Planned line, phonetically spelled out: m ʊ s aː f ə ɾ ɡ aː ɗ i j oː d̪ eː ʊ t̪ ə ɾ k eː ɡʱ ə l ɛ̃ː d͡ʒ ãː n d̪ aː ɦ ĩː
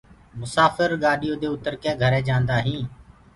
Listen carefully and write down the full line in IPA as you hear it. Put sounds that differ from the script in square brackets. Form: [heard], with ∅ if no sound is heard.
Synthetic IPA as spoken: m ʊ s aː f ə ɾ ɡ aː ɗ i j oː d̪ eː ʊ t̪ ə ɾ k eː ɡʱ ə [ɾ] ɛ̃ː d͡ʒ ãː n d̪ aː ɦ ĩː

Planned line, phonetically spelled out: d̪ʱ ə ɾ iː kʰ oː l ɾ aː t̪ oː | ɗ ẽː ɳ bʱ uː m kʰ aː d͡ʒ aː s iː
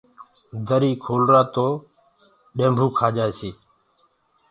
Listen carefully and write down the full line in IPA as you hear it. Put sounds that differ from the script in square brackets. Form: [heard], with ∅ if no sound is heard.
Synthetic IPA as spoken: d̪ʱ ə ɾ iː kʰ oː l ɾ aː t̪ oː | ɗ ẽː [m] bʱ uː [∅] kʰ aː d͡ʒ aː s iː

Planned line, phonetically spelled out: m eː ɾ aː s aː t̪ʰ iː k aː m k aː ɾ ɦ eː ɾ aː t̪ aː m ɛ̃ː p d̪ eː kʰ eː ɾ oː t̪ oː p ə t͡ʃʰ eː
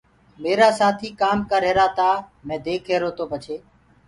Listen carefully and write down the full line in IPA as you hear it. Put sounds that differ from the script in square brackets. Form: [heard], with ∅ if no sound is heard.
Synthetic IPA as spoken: m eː ɾ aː s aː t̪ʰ iː k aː m k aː ɾ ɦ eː ɾ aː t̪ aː m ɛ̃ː [∅] d̪ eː kʰ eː ɾ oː t̪ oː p ə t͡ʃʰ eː

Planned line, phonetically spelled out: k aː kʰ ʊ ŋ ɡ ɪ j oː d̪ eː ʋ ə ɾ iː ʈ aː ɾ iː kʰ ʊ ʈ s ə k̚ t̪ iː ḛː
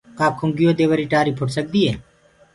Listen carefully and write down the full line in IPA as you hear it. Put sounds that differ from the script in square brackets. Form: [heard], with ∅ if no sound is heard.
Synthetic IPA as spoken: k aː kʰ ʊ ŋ ɡ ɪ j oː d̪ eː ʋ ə ɾ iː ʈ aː ɾ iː [pʰ] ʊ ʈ s ə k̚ [d̪] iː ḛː

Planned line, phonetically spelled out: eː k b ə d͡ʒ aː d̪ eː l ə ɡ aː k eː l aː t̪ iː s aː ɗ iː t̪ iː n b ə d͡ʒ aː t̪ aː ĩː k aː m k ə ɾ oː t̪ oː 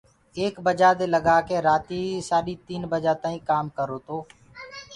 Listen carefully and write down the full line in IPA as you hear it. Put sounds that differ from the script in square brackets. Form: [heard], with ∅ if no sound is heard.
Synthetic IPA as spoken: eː k b ə d͡ʒ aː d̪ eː l ə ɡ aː k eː [ɾ] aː t̪ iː s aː ɗ iː t̪ iː n b ə d͡ʒ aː t̪ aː ĩː k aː m k ə ɾ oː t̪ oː

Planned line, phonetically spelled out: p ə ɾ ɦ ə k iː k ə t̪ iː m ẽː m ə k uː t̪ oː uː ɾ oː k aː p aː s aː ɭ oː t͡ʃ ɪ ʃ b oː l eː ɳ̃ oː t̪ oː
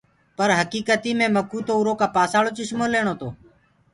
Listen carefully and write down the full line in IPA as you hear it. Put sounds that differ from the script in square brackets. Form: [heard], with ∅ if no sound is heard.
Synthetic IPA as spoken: p ə ɾ ɦ ə k iː k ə t̪ iː m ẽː m ə k uː t̪ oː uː ɾ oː k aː p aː s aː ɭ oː t͡ʃ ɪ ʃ [m] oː l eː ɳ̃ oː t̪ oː

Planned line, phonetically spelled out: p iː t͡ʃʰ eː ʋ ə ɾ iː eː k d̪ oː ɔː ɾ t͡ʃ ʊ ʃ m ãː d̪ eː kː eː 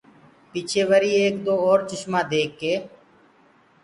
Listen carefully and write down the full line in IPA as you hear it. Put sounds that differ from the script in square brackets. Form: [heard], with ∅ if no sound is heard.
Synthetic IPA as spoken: p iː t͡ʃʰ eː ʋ ə ɾ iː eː k d̪ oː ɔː ɾ t͡ʃ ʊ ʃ m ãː d̪ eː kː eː

